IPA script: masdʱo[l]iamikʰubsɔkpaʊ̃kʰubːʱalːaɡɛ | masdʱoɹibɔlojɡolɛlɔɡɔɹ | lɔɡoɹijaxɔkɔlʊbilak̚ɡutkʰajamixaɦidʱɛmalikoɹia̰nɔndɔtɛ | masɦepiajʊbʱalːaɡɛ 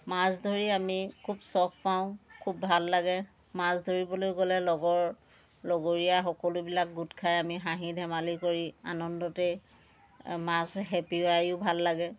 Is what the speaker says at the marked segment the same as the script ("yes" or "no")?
no